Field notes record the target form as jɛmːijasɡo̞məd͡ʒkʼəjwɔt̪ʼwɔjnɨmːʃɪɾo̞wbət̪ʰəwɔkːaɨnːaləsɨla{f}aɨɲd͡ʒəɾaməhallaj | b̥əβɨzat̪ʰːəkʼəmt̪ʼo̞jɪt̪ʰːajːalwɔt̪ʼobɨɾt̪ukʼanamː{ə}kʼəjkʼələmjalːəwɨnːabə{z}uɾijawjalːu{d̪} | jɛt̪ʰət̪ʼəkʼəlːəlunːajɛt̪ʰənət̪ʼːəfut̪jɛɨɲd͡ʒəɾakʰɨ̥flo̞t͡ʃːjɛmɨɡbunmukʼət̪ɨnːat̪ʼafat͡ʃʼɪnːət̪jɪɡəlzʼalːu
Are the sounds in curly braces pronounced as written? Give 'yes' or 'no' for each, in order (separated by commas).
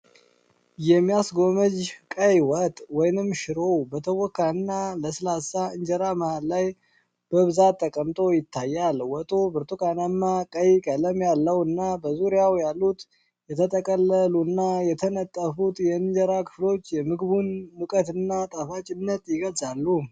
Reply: no, no, yes, no